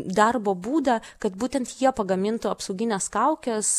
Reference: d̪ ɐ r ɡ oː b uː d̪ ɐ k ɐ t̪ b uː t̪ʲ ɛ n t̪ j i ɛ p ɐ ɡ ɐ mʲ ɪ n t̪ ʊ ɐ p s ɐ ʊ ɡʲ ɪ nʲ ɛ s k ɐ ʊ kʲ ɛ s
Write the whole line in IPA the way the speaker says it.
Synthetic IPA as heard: d̪ ɐ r b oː b uː d̪ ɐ k ɐ t̪ b uː t̪ʲ ɛ n t̪ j i ɛ p ɐ ɡ ɐ mʲ ɪ n t̪ ʊ ɐ p s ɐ ʊ ɡʲ ɪ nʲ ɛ s k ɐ ʊ kʲ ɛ s